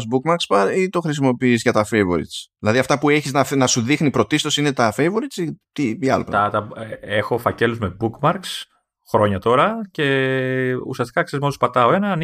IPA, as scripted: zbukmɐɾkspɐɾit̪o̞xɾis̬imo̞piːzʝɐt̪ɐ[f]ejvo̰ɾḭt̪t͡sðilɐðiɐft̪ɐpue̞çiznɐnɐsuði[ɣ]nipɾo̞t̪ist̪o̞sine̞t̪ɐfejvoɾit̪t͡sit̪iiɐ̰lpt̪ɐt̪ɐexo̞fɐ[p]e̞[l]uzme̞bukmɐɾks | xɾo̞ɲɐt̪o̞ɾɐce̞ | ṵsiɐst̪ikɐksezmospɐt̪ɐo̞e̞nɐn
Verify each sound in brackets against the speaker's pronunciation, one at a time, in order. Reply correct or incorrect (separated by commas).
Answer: correct, incorrect, incorrect, correct